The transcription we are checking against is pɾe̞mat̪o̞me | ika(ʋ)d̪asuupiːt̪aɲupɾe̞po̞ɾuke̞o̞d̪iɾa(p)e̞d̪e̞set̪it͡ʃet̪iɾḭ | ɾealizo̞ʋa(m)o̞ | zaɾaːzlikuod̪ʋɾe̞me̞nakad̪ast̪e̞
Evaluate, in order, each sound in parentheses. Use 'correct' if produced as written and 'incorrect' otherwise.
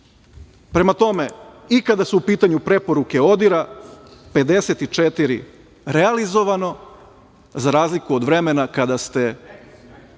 incorrect: none, correct, incorrect: n

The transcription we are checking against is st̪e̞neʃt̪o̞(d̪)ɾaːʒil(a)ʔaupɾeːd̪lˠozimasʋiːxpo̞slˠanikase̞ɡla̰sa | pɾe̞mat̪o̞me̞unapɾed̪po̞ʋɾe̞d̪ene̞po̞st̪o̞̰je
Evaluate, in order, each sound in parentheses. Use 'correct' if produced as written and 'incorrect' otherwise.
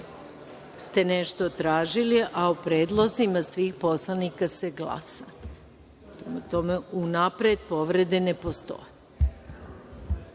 incorrect: t̪, incorrect: i

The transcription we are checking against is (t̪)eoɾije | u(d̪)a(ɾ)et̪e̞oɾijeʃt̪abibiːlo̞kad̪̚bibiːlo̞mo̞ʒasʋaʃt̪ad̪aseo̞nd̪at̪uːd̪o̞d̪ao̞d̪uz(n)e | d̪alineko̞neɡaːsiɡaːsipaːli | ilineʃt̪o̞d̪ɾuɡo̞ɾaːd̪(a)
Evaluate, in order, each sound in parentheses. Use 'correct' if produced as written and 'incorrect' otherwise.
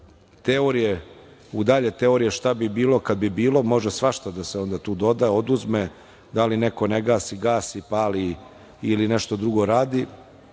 correct, correct, incorrect: ʎ, incorrect: m, incorrect: i

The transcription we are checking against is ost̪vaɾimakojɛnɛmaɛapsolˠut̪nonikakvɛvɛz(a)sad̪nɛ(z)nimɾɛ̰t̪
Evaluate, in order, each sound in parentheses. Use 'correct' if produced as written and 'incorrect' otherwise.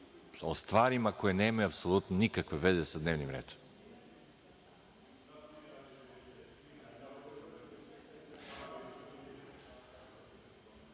incorrect: ɛ, incorrect: v

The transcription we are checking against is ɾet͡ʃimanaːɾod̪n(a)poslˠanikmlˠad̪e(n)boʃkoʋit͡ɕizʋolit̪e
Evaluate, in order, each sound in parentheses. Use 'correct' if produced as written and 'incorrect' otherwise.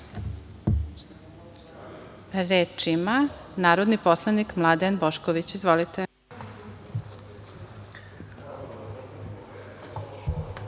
incorrect: i, correct

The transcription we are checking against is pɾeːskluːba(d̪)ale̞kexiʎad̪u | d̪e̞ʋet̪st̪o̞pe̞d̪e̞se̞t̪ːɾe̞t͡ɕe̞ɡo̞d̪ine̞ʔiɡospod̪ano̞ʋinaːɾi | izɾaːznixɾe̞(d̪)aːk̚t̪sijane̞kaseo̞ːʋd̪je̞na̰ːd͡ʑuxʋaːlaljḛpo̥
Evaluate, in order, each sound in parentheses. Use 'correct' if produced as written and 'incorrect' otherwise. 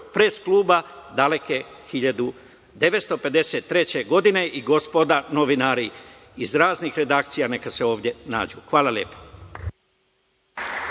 correct, correct

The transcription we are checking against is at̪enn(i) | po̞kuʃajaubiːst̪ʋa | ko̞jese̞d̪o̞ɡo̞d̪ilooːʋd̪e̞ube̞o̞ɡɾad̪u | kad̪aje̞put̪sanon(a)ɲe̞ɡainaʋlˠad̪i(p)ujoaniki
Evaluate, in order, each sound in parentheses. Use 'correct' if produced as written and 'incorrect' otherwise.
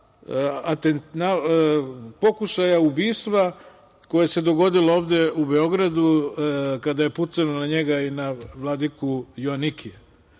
incorrect: a, correct, incorrect: k

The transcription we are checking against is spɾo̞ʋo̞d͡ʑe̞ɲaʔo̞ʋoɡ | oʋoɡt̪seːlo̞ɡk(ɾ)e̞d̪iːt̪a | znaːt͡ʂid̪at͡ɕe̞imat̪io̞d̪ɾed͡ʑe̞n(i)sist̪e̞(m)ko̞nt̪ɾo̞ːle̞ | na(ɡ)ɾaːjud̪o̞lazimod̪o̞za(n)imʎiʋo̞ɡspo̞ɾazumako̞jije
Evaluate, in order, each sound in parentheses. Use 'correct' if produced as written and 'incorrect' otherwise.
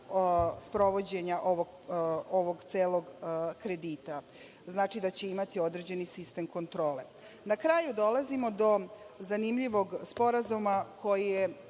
correct, correct, correct, incorrect: k, correct

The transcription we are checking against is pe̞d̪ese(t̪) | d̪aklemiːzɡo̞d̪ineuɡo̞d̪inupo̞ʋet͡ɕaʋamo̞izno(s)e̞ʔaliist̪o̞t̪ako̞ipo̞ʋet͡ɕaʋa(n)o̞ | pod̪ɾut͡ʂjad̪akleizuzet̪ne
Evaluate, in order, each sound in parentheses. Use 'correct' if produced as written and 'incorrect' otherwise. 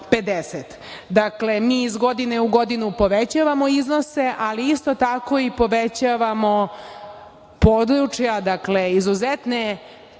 correct, correct, incorrect: m

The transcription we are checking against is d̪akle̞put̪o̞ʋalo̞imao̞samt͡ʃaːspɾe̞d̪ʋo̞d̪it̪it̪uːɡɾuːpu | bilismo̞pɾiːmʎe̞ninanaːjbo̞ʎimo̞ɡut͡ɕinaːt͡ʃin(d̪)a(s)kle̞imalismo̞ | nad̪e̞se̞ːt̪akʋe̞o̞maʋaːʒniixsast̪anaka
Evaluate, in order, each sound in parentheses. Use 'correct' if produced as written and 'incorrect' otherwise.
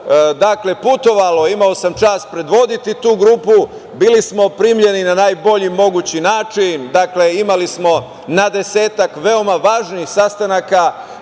correct, incorrect: none

